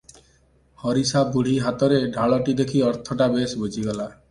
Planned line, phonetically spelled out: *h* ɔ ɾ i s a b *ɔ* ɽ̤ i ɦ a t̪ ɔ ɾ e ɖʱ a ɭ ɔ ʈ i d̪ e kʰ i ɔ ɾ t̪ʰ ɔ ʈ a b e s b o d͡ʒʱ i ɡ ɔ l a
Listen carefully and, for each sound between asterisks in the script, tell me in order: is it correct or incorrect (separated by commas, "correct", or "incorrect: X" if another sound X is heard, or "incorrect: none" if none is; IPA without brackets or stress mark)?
correct, incorrect: u